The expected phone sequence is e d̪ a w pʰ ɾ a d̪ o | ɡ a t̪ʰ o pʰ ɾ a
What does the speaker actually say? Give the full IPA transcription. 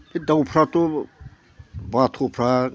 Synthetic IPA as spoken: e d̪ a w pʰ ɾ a t̪ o | b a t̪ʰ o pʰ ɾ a